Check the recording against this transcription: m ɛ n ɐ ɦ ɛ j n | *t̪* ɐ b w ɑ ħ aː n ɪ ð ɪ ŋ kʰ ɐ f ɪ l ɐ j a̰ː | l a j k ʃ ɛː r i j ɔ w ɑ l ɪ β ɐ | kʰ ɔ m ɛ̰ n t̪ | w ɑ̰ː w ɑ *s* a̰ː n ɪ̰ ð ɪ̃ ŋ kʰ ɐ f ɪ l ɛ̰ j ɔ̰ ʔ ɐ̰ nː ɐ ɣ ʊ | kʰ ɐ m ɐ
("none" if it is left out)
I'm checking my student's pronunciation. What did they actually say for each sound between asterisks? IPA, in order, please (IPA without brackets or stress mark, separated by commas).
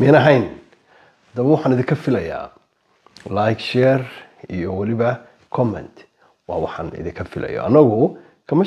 d̪, ħ